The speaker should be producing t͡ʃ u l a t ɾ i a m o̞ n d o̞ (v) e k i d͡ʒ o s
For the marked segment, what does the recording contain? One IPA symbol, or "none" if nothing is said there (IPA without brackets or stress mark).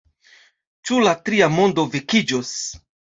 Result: v